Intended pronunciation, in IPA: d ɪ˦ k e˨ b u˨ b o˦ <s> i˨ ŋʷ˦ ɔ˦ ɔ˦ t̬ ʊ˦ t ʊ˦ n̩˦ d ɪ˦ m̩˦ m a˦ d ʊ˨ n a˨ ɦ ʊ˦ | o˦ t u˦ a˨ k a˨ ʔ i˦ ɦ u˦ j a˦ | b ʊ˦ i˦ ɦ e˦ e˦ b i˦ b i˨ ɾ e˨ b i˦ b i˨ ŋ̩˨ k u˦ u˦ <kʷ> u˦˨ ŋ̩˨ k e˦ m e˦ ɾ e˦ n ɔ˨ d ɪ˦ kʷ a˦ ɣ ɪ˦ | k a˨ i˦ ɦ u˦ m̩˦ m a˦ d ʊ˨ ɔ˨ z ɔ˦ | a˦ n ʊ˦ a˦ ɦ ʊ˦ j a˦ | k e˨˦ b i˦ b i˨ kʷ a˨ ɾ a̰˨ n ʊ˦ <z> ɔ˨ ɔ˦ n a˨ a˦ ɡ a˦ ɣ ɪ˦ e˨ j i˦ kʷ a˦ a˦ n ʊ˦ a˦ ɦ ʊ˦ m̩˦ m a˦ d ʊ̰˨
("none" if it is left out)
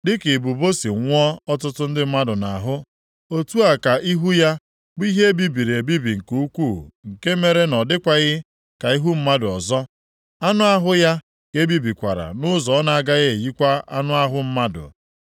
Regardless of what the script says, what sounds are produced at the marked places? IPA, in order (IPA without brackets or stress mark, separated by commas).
s, kʷ, z